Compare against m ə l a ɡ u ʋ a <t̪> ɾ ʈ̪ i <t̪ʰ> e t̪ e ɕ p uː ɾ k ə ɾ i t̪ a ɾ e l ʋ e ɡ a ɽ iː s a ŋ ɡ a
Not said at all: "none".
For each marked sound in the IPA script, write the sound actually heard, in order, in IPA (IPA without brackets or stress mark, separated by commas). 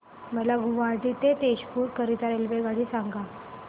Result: none, t̪